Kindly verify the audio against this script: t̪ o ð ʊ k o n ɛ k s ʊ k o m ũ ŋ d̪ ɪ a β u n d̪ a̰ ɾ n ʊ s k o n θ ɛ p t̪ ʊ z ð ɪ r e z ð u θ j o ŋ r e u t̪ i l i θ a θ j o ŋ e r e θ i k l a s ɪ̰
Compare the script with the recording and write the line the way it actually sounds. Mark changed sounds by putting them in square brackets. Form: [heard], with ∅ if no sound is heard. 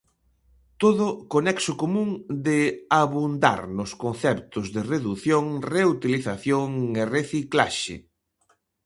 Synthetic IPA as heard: t̪ o ð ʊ k o n ɛ k s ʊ k o m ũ ŋ d̪ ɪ a β u n d̪ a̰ ɾ n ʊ s k o n θ ɛ p t̪ ʊ z ð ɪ r e [∅] ð u θ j o ŋ r e u t̪ i l i θ a θ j o ŋ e r e θ i k l a [ʃ] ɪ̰